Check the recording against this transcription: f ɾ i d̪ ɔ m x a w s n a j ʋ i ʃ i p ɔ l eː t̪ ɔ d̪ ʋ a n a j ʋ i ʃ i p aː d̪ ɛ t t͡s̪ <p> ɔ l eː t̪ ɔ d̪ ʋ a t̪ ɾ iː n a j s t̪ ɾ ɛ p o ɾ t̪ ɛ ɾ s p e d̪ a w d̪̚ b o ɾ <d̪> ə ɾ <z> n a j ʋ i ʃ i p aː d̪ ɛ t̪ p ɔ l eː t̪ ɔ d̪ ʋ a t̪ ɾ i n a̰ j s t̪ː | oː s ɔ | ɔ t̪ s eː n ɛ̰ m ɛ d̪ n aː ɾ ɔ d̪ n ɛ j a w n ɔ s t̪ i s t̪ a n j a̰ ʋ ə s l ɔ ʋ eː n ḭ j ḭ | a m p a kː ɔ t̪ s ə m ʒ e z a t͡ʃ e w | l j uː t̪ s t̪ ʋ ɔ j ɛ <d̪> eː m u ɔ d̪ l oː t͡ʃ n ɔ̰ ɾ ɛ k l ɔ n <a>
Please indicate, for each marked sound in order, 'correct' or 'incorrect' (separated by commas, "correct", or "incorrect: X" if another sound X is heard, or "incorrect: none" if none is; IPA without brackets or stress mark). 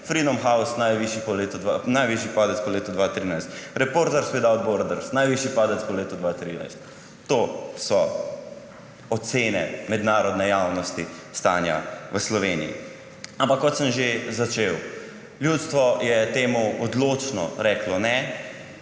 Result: correct, correct, incorrect: s, incorrect: t̪, incorrect: ɛ